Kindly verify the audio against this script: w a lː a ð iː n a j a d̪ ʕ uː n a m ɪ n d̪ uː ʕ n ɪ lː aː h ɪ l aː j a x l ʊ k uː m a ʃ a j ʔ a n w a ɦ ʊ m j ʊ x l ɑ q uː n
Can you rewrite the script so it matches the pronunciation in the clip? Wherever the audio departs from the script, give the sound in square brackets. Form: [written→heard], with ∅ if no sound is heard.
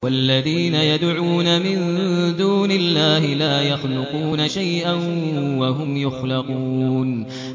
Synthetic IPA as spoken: w a lː a ð iː n a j a d̪ ʕ uː n a m ɪ n d̪ uː [ʕ→∅] n ɪ lː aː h ɪ l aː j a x l ʊ [k→q] uː [m→n] a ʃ a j ʔ a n w a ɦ ʊ m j ʊ x l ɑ q uː n